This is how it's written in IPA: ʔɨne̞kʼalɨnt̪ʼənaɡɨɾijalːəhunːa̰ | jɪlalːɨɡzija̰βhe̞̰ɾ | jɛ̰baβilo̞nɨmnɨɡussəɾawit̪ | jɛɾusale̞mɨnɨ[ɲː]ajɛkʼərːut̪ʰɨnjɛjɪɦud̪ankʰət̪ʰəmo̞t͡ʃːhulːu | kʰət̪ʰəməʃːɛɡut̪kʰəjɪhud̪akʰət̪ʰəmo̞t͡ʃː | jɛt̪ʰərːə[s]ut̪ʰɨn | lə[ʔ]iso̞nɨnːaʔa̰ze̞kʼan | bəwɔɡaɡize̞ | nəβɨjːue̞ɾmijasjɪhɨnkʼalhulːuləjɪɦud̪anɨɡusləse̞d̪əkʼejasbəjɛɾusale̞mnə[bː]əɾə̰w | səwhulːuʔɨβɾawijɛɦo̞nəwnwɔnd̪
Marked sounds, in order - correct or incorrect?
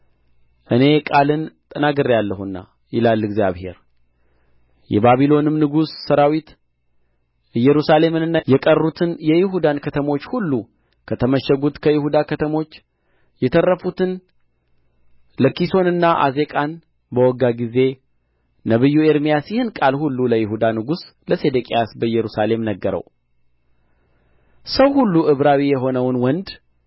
incorrect, incorrect, incorrect, incorrect

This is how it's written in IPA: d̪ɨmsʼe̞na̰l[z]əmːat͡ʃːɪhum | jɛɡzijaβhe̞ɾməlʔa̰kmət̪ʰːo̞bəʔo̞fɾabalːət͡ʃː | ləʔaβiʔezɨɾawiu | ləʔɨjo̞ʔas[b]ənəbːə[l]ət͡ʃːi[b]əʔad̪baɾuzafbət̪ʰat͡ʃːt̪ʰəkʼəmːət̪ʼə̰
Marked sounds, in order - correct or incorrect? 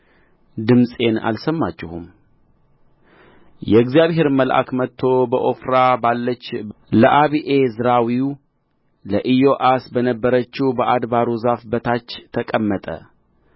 incorrect, correct, incorrect, correct

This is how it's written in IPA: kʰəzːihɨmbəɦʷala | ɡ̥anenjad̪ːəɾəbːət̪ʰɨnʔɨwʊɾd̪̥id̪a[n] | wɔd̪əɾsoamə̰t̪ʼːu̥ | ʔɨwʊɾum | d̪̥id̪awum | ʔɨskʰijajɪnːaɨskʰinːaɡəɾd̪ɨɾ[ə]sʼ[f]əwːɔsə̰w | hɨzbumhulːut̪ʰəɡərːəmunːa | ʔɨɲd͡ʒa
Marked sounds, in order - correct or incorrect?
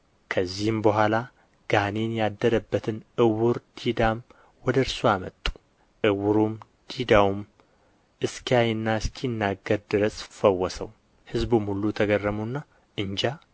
incorrect, correct, correct

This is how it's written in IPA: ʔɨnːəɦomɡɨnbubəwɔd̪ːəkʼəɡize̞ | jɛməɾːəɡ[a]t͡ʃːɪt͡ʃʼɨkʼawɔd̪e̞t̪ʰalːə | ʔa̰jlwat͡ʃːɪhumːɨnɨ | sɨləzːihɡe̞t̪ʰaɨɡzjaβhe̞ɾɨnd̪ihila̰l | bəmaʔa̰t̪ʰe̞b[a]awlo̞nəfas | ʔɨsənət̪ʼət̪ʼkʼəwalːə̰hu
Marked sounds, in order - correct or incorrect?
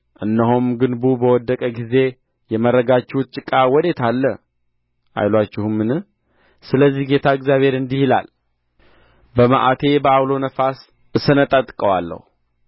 correct, incorrect

